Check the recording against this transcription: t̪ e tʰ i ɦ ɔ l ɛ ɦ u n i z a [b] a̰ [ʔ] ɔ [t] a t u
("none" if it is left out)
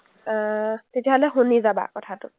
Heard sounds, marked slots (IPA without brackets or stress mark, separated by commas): b, k, tʰ